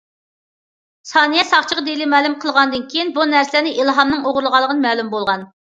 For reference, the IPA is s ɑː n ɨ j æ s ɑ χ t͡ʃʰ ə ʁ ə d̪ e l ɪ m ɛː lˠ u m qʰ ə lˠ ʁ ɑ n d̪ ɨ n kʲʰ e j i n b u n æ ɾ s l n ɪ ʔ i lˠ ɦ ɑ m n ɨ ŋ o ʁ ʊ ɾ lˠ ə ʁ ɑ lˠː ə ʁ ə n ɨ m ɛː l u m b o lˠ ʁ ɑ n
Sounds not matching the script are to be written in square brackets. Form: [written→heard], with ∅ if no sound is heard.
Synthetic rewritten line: s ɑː n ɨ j [æ→ɛ] s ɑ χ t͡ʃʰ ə ʁ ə d̪ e l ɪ m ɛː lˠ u m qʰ ə lˠ ʁ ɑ n d̪ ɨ n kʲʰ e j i n b u n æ ɾ s l n ɪ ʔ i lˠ ɦ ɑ m n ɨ ŋ o ʁ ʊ ɾ lˠ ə ʁ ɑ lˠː ə ʁ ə n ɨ m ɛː l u m b o lˠ ʁ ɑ n